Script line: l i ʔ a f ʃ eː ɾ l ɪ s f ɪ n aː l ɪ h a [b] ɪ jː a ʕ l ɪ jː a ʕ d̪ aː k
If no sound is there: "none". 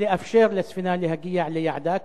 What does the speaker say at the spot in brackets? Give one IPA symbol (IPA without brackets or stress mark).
ɡ